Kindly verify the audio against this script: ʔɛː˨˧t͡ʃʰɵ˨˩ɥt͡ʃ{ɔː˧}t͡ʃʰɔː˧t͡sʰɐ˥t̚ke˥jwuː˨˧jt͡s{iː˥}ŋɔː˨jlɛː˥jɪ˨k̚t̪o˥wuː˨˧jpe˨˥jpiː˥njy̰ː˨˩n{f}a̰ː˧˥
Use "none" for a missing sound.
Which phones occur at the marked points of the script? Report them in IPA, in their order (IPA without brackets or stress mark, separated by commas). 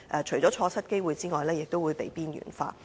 ɔː˨˥, iː˥, f